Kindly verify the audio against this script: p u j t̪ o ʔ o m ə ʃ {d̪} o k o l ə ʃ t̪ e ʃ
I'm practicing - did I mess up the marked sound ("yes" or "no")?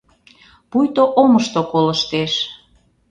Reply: yes